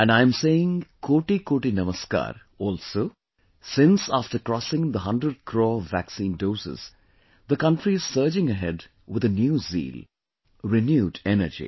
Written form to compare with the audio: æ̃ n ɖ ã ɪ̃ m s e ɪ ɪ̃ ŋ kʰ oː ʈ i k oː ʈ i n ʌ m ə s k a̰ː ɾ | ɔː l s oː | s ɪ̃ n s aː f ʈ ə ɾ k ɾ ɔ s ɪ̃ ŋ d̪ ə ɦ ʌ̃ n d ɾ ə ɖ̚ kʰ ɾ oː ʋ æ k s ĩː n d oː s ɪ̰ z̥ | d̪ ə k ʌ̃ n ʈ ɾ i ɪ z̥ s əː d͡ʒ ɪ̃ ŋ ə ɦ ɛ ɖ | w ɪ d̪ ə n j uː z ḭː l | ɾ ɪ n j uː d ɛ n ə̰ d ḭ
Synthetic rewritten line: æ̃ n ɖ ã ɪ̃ m s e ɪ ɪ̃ ŋ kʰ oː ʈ i k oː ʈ i n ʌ m ə s k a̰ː ɾ | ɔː l s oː | s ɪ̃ n s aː f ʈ ə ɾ k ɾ ɔ s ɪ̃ ŋ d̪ ə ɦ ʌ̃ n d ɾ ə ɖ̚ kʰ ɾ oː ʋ æ k s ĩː n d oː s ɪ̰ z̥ | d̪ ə k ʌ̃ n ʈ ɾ i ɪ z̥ s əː d͡ʒ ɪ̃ ŋ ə ɦ ɛ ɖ | w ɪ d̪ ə n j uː z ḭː l | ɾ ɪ n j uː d ɛ n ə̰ d͡ʒ ḭ